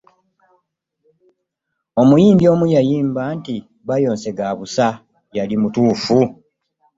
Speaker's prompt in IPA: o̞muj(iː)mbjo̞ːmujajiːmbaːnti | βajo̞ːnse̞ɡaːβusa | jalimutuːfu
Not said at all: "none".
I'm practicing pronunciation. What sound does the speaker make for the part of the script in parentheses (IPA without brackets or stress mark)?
iː